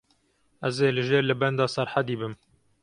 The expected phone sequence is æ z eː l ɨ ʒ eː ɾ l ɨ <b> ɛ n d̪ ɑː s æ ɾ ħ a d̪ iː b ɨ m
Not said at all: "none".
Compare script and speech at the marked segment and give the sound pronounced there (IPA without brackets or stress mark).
b